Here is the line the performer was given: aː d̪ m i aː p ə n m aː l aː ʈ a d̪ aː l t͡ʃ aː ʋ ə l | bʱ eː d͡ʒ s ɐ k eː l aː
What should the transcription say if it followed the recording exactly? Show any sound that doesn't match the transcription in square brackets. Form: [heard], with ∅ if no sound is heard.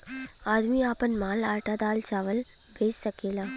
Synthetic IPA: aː d̪ m i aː p ə n m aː l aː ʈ a d̪ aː l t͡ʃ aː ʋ ə l | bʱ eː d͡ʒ s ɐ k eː l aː